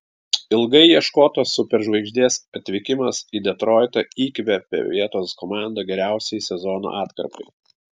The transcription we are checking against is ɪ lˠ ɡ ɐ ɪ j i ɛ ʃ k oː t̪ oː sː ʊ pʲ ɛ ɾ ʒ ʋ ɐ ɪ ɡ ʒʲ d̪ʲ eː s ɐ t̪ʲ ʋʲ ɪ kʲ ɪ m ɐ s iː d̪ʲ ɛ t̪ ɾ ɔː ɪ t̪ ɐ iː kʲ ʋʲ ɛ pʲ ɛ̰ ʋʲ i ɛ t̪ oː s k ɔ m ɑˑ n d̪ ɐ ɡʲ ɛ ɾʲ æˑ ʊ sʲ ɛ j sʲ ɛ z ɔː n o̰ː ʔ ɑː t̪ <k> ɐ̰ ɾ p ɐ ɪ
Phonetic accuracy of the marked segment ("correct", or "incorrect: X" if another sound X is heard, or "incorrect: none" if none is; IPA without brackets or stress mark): correct